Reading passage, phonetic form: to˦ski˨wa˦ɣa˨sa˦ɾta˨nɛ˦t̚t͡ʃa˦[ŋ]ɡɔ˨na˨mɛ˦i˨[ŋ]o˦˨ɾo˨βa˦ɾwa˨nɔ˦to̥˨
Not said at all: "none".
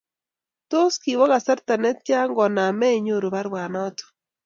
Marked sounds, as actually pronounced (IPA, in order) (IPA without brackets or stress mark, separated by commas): ŋ, ɲ